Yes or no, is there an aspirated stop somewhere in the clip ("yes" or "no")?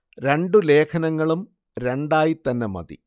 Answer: yes